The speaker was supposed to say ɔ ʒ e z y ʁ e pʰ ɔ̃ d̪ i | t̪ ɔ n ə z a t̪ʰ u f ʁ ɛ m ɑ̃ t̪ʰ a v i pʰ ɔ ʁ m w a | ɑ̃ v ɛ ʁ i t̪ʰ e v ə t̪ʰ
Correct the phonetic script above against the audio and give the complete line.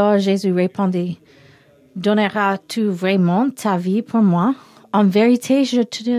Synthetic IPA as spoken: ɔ ʒ e z y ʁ e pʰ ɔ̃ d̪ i | d̪ ɔ n ə ʁ a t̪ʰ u v ʁ ɛ m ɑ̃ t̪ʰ a v i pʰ u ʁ m w a | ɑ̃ v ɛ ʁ i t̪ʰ e ʒ ə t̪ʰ